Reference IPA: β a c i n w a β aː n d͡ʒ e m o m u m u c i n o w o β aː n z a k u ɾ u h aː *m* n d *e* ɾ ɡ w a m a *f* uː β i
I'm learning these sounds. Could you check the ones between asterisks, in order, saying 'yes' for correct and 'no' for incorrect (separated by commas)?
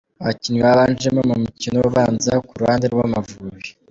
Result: no, yes, no